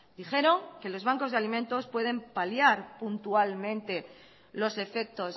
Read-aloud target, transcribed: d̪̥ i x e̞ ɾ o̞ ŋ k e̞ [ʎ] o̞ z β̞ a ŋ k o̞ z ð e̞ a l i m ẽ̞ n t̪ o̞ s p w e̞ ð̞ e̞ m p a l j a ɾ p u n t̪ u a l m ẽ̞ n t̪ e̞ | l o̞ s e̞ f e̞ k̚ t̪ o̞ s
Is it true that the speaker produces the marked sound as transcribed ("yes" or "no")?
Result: no